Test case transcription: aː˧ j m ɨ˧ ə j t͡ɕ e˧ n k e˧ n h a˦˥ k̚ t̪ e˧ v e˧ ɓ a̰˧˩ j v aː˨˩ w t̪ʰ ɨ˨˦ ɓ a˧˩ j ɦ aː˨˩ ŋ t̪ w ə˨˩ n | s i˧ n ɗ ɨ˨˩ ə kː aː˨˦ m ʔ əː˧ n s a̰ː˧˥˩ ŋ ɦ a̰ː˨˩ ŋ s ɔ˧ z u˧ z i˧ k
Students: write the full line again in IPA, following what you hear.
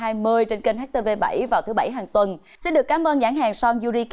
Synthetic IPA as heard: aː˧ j m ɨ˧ ə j t͡ɕ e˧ n k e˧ n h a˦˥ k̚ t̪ e˧ v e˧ ɓ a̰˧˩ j v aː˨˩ w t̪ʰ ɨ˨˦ ɓ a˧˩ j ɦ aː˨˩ ŋ t̪ w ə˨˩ n | s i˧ n ɗ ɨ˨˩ ə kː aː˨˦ m ʔ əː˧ n z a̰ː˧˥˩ ŋ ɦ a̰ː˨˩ ŋ s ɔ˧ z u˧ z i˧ k